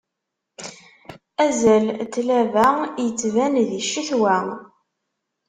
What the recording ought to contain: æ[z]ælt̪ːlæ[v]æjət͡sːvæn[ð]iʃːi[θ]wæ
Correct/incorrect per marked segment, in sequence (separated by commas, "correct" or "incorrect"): correct, correct, correct, correct